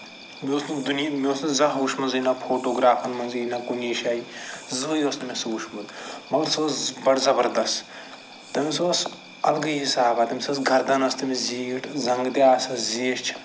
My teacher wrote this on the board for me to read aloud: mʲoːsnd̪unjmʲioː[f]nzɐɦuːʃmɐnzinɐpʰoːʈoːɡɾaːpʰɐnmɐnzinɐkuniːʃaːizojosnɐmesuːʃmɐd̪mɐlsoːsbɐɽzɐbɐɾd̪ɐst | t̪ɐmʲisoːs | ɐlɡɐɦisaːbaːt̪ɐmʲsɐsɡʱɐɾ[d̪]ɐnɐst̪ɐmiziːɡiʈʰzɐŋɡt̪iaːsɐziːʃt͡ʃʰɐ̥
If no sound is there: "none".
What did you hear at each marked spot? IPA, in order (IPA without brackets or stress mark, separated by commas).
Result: s, d̪